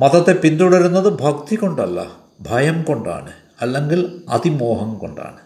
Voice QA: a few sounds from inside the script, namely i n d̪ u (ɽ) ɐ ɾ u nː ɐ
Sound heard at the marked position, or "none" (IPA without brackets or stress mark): ɽ